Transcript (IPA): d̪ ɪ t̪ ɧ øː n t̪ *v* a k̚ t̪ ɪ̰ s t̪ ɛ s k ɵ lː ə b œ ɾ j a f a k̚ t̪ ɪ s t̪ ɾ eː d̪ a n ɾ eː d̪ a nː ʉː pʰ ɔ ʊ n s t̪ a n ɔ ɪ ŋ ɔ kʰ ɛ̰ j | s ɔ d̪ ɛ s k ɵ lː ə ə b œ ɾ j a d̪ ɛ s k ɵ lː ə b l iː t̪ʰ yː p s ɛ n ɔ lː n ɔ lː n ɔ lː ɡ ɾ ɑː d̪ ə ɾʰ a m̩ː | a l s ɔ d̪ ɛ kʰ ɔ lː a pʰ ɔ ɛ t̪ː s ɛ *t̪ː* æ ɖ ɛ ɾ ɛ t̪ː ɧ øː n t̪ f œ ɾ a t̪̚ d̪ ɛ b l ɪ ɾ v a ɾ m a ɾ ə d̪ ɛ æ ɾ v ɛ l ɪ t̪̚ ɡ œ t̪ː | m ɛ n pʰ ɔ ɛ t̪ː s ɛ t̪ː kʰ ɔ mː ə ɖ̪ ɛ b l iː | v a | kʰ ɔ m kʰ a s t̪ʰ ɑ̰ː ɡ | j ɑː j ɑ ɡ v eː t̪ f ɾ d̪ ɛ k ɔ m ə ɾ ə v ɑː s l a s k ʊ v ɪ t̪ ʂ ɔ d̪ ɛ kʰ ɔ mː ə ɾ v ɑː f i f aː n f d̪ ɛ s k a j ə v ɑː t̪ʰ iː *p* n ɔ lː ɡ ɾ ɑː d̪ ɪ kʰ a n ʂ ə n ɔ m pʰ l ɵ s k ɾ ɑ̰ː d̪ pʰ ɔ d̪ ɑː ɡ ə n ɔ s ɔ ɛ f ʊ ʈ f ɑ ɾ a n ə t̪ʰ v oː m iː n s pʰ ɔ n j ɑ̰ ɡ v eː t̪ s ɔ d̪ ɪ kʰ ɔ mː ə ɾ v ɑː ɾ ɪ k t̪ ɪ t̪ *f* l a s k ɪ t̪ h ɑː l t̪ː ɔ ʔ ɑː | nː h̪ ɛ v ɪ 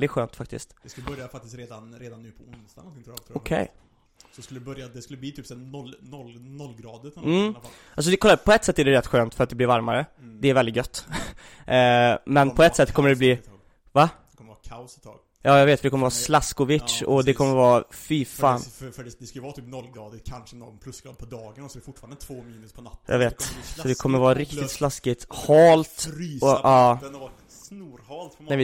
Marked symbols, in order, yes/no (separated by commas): no, yes, yes, no